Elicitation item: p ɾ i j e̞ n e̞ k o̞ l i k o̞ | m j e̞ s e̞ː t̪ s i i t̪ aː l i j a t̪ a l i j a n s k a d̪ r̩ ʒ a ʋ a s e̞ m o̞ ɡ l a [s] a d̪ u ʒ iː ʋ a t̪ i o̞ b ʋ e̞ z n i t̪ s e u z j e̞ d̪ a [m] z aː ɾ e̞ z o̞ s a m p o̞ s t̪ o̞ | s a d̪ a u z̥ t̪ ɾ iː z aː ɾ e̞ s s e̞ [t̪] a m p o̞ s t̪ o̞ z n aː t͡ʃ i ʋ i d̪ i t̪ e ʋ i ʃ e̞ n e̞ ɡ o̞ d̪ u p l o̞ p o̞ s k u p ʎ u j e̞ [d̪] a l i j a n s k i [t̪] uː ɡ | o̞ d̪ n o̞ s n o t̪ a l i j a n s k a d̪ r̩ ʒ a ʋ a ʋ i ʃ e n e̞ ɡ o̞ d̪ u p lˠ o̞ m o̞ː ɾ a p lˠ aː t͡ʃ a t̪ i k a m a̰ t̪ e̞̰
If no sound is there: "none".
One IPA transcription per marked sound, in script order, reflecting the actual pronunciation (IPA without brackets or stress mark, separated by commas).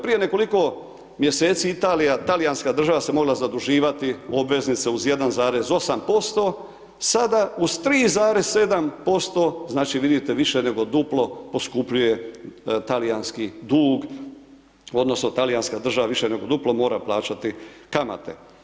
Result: z, n, d̪, t̪, d̪